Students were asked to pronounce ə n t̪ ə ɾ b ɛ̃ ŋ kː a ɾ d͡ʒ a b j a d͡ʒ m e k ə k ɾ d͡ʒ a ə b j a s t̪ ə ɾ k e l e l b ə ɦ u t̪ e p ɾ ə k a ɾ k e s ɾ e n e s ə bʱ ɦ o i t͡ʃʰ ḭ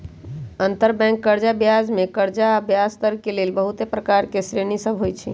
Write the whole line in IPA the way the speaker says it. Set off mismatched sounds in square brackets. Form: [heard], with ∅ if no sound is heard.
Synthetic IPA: ə n t̪ ə ɾ b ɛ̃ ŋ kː [ə] ɾ d͡ʒ a b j a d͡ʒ m e k ə [∅] ɾ d͡ʒ a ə b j a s t̪ ə ɾ k e l e l b ə ɦ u t̪ e p ɾ ə k a ɾ k e s ɾ e n [i] s ə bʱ ɦ o [j] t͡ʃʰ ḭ